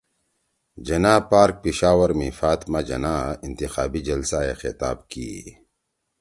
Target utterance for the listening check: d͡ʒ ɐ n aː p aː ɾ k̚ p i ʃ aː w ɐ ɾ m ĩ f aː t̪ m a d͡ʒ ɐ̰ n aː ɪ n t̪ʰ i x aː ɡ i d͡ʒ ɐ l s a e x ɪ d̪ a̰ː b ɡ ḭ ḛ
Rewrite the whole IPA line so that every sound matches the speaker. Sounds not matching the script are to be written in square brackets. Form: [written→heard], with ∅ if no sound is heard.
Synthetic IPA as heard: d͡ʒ ɐ n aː p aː ɾ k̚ p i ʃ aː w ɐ ɾ m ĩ f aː t̪ m a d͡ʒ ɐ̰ n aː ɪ n [t̪ʰ→t̪] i x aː [ɡ→b] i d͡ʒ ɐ l s a e x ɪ [d̪→t̪] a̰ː b [ɡ→k] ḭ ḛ